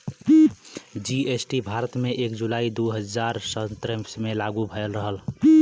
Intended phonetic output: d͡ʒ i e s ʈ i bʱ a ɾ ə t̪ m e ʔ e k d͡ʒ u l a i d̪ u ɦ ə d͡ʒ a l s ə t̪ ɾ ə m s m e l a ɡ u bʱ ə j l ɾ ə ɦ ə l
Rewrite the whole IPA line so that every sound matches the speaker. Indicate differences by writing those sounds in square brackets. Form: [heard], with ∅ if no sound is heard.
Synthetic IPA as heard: d͡ʒ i e s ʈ i bʱ a ɾ ə t̪ m e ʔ e k d͡ʒ u l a i d̪ u ɦ ə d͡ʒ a [ɾ] s ə t̪ ɾ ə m s m e l a ɡ u bʱ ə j l ɾ ə ɦ ə l